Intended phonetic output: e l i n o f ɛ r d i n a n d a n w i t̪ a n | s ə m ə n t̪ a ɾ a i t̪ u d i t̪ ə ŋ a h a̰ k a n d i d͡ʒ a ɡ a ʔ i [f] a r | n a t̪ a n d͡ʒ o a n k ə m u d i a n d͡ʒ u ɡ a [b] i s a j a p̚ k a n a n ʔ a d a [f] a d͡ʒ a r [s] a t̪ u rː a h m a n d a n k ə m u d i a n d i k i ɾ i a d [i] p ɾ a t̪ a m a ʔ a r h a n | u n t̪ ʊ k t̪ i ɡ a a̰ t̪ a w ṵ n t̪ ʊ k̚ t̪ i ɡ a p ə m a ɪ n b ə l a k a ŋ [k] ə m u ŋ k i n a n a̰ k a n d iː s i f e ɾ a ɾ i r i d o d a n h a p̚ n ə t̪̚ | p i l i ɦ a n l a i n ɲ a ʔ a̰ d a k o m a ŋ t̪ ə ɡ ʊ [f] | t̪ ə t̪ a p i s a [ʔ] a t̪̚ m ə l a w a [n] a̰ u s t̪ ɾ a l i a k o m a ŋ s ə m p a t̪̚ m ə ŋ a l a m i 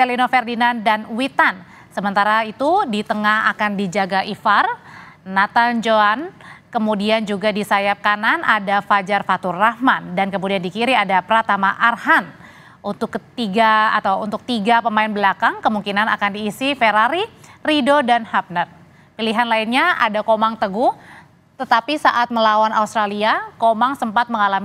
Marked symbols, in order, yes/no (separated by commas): yes, no, yes, no, no, yes, no, yes, yes